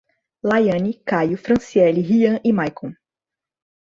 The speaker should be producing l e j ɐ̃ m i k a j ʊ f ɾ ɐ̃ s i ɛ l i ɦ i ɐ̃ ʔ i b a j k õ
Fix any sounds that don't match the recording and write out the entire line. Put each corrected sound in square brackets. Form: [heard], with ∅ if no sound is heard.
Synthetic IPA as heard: l [a] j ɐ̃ [n] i k a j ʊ f ɾ ɐ̃ s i ɛ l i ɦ i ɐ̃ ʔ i [m] a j k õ